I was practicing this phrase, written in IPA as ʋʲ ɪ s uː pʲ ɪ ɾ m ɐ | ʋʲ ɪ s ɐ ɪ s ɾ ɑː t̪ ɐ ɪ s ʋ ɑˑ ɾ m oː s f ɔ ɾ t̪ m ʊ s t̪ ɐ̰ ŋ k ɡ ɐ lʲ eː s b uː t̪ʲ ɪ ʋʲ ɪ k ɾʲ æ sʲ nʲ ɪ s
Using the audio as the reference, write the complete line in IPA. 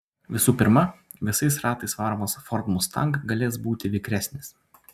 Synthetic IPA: ʋʲ ɪ s uː pʲ ɪ ɾ m ɐ | ʋʲ ɪ s ɐ ɪ s ɾ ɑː t̪ ɐ ɪ s ʋ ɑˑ ɾ m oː s f ɔ ɾ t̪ m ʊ s t̪ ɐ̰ ŋ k ɡ ɐ lʲ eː s b uː t̪ʲ ɪ ʋʲ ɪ k ɾʲ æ sʲ nʲ ɪ s

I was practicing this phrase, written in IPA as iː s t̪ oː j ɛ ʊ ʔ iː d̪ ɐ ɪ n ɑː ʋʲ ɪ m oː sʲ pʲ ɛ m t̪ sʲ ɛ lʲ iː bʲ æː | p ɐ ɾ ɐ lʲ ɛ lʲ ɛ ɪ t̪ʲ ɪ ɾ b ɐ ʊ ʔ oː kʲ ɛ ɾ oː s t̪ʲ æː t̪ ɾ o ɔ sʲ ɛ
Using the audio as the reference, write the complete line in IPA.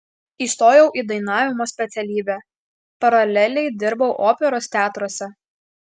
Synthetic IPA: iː s t̪ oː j ɛ ʊ ʔ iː d̪ ɐ ɪ n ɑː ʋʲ ɪ m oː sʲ pʲ ɛ t̪ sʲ ɛ lʲ iː bʲ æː | p ɐ ɾ ɐ lʲ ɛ lʲ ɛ ɪ d̪ʲ ɪ ɾ b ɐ ʊ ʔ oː pʲ ɛ ɾ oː s t̪ʲ æː t̪ ɾ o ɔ sʲ ɛ

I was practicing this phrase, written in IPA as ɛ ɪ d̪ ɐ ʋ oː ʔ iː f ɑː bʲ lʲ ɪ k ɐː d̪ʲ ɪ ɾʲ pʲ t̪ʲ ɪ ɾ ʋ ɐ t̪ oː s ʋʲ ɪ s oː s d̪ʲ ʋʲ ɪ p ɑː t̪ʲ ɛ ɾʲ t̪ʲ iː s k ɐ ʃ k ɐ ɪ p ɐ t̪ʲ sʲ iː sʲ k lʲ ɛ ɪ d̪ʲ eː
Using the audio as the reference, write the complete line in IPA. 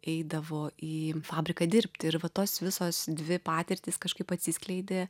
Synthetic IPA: ɛ ɪ d̪ ɐ ʋ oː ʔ iː f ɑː bʲ ɾʲ ɪ k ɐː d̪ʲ ɪ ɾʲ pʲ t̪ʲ ɪ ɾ ʋ ɐ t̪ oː s ʋʲ ɪ s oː s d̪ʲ ʋʲ ɪ p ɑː t̪ʲ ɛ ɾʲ t̪ʲ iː s k ɐ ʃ k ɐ ɪ p ɐ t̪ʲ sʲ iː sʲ k lʲ ɛ ɪ d̪ʲ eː

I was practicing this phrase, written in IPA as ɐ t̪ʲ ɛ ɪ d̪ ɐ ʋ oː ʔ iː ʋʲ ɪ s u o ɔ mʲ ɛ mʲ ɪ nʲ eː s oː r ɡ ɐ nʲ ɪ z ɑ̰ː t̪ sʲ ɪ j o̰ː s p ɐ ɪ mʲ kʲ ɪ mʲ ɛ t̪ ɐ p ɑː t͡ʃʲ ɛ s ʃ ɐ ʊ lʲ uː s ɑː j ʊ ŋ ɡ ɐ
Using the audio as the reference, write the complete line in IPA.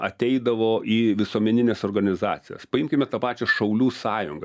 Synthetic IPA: ɐ t̪ʲ ɛ ɪ d̪ ɐ ʋ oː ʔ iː ʋʲ ɪ s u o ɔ mʲ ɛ nʲ ɪ nʲ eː s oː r ɡ ɐ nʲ ɪ z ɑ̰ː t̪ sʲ ɪ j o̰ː s p ɐ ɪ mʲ kʲ ɪ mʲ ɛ t̪ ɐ p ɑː t͡ʃʲ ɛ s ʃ ɐ ʊ lʲ uː s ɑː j ʊ ŋ ɡ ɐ

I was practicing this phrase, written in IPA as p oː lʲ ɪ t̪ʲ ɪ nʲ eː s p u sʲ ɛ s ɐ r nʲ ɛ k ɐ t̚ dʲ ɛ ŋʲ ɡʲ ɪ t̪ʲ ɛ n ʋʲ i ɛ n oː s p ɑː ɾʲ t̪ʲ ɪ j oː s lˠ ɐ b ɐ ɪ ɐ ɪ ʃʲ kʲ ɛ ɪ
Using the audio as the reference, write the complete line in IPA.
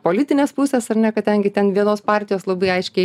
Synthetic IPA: p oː lʲ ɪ t̪ʲ ɪ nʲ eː s p u sʲ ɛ s ɐ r nʲ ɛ k ɐ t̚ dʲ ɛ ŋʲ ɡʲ ɪ t̪ʲ ɛ n ʋʲ i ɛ n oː s p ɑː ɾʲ t̪ʲ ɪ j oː s lˠ ɐ b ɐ ɪ ɐ ɪ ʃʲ kʲ ɛ ɪ

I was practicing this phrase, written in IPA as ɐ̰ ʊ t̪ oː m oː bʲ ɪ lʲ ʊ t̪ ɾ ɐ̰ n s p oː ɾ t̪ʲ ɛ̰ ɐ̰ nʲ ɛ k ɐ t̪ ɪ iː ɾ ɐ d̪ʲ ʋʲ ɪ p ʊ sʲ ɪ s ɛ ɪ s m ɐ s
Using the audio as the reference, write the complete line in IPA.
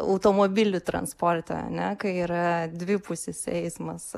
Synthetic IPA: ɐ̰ ʊ t̪ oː m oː bʲ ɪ lʲ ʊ t̪ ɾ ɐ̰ n s p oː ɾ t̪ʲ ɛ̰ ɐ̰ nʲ ɛ k ɐ ɪ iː ɾ ɐ d̪ʲ ʋʲ ɪ p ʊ sʲ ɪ s ɛ ɪ s m ɐ s

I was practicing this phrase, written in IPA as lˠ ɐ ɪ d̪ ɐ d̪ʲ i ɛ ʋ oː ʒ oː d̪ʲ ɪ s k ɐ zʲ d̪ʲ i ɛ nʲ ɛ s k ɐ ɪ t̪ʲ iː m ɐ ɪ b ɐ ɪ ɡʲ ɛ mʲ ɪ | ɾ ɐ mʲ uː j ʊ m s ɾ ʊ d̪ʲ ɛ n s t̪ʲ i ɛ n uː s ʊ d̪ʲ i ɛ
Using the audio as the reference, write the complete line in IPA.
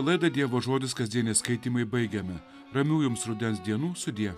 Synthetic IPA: lˠ ɐ ɪ d̪ ɐ d̪ʲ i ɛ ʋ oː ʒ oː d̪ʲ ɪ s k ɐ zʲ d̪ʲ i ɛ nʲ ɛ s k ɐ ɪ t̪ʲ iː m ɐ ɪ b ɐ ɪ ɡʲ ɛ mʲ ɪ | ɾ ɐ mʲ uː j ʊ m s ɾ ʊ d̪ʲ ɛ n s d̪ʲ i ɛ n uː s ʊ d̪ʲ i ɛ

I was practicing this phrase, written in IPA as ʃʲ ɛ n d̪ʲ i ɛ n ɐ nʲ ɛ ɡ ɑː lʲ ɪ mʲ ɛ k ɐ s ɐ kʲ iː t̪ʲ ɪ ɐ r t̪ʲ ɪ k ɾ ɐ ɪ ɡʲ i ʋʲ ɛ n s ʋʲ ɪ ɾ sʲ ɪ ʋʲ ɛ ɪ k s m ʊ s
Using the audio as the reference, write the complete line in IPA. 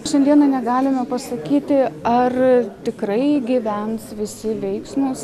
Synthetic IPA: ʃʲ ɛ n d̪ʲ i ɛ n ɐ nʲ ɛ ɡ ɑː lʲ ɪ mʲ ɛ p ɐ s ɐ kʲ iː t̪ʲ ɪ ɐ r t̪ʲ ɪ k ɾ ɐ ɪ ɡʲ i ʋʲ ɛ n s ʋʲ ɪ sʲ ɪ ʋʲ ɛ ɪ k s m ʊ s

